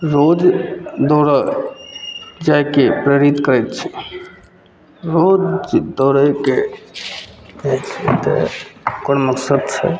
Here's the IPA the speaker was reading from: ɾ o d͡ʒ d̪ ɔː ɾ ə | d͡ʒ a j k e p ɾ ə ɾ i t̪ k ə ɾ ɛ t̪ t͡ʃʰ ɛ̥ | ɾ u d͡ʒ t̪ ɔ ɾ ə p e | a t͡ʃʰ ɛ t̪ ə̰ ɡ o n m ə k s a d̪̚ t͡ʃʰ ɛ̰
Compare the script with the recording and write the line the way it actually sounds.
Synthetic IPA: ɾ o d͡ʒ d̪ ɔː ɾ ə | d͡ʒ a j k e p ɾ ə ɾ i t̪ k ə ɾ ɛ t̪ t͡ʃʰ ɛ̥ | ɾ o d͡ʒ d̪ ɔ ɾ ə k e | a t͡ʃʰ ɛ t̪ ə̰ k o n m ə k s ə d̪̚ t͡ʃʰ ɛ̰